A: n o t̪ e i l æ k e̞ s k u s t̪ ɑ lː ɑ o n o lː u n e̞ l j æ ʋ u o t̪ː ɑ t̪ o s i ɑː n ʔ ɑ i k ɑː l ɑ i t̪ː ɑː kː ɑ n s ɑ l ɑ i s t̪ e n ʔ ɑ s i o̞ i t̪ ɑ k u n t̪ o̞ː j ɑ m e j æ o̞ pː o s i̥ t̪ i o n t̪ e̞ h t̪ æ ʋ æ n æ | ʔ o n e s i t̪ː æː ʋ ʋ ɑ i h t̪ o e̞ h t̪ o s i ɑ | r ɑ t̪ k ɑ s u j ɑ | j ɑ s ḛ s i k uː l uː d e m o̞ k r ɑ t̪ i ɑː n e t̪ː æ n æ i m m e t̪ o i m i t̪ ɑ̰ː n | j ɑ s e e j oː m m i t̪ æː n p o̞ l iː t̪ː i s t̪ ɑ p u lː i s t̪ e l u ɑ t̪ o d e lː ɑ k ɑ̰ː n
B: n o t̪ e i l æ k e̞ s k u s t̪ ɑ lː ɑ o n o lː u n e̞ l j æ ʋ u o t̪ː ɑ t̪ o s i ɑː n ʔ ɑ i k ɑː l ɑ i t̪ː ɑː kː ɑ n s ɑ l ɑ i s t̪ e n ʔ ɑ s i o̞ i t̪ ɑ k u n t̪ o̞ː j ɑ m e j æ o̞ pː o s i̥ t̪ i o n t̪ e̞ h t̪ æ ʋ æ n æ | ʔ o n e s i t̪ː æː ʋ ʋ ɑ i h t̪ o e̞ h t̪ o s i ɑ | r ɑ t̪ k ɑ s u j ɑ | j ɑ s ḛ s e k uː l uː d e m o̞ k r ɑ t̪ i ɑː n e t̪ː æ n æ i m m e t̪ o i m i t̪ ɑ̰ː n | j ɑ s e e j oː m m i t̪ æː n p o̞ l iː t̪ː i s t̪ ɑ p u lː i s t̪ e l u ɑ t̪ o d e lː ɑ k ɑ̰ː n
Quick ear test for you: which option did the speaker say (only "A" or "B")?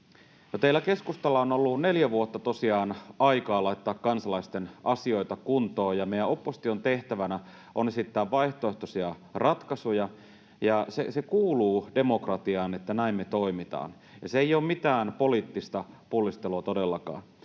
B